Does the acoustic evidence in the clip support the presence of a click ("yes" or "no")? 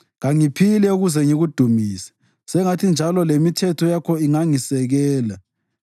no